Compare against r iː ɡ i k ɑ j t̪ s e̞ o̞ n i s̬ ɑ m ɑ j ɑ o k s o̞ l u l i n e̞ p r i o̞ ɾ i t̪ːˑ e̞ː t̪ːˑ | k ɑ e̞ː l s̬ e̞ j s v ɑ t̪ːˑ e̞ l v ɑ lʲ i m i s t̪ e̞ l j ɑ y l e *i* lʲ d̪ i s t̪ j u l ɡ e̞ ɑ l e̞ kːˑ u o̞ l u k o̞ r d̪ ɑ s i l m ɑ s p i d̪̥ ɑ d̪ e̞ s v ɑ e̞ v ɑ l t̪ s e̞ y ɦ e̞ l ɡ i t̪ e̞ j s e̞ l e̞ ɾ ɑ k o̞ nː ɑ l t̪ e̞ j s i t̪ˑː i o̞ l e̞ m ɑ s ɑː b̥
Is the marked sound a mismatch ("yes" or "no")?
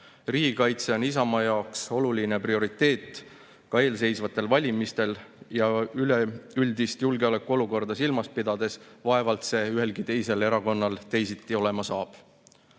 yes